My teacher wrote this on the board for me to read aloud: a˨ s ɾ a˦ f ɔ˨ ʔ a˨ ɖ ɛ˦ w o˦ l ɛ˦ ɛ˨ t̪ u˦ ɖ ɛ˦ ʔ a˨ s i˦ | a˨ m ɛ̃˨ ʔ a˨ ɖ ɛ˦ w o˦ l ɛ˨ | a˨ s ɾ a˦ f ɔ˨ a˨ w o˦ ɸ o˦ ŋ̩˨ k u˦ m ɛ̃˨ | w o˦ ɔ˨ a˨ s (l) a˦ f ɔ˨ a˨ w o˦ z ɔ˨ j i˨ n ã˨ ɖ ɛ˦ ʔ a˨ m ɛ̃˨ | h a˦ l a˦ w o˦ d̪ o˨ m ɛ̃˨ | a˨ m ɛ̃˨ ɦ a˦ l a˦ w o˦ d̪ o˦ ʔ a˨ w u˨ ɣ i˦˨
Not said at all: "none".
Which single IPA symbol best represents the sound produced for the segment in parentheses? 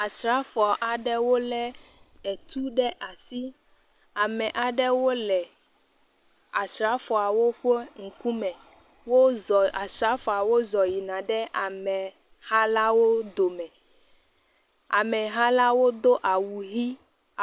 ɾ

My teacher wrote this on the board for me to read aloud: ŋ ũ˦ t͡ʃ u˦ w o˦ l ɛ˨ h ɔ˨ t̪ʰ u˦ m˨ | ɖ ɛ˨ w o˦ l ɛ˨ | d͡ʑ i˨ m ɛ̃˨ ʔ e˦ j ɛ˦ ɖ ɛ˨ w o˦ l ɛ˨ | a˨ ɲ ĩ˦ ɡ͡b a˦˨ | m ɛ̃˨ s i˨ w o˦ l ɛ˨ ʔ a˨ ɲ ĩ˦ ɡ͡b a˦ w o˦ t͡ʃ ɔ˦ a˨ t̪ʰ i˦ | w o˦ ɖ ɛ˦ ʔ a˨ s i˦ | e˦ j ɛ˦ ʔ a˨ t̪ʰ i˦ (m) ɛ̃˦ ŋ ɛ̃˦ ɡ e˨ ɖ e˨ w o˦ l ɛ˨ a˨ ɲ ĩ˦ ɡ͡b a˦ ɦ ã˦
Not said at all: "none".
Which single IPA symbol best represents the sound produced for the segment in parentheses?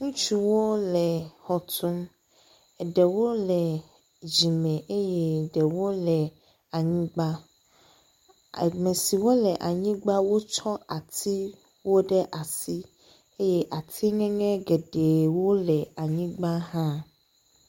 ŋ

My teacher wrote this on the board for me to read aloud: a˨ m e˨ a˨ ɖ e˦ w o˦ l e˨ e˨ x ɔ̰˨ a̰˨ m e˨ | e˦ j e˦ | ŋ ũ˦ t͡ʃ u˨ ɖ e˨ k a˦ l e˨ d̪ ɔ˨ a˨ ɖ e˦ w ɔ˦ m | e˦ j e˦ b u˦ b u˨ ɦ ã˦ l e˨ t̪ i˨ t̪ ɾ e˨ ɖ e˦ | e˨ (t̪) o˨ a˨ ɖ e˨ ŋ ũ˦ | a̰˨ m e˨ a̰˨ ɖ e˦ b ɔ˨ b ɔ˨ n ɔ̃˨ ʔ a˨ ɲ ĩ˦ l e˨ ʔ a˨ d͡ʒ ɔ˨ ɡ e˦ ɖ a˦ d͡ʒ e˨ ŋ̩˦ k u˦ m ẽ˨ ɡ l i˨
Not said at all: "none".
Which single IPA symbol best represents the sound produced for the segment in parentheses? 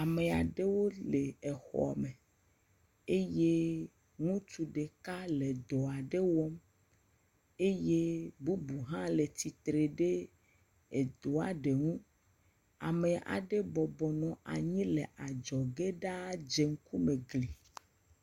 d̪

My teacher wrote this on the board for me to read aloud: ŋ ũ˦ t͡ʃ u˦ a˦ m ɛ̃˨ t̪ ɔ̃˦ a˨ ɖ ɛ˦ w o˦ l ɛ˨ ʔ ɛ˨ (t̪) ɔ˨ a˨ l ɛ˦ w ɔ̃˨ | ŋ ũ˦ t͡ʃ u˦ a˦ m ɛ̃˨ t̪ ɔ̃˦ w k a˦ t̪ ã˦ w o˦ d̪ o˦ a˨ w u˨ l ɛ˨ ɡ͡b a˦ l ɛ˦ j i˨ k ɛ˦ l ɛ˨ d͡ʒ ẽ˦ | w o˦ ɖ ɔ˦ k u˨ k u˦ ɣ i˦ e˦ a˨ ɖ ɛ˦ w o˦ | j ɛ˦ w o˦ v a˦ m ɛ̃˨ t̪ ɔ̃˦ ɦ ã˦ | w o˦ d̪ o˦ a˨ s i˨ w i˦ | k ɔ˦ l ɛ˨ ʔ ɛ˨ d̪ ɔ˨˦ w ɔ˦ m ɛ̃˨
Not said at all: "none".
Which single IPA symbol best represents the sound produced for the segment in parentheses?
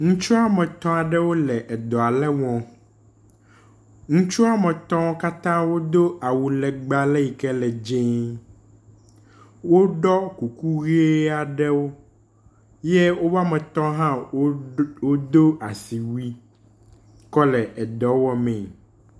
d̪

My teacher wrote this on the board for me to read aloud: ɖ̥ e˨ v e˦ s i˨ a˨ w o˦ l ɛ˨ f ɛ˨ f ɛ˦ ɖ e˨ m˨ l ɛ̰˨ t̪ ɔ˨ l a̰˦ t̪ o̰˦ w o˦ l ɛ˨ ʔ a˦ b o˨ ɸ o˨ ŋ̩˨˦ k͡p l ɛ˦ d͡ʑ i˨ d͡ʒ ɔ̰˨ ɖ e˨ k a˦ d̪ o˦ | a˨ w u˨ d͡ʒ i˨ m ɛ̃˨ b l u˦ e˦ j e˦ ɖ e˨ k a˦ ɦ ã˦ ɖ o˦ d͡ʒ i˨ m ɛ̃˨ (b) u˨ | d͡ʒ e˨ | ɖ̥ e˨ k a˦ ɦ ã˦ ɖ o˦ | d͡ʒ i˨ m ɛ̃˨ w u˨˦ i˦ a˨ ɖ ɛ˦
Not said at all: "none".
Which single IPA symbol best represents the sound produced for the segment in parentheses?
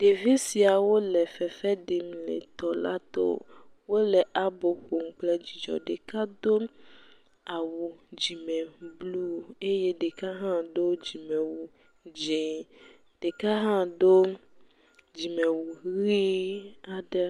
w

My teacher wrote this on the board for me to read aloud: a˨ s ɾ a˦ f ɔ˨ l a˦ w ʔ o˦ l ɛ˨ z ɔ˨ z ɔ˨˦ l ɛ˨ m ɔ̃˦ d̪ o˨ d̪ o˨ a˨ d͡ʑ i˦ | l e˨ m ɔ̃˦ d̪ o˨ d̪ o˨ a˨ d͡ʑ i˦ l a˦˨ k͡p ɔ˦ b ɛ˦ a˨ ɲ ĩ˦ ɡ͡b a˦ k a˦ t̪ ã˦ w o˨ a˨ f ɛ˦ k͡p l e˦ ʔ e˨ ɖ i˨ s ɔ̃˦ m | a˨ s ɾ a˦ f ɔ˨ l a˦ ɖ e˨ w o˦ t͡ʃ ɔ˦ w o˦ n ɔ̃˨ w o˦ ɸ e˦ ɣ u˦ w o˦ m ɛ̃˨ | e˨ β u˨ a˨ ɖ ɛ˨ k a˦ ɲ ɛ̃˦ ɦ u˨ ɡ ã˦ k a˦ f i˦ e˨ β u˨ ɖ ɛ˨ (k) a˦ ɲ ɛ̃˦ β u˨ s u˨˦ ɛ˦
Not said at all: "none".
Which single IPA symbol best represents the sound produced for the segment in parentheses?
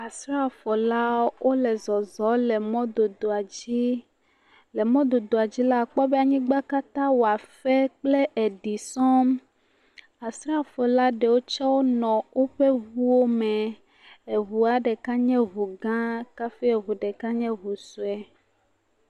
k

